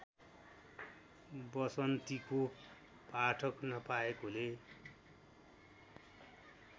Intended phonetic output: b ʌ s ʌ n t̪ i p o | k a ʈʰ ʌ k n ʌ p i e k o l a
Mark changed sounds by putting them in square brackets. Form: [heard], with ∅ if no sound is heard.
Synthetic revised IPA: b ʌ s ʌ n t̪ i [k] o | [p] a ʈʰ ʌ k n ʌ p [a] e k o l [e]